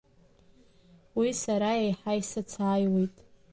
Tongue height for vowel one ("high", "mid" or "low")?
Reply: high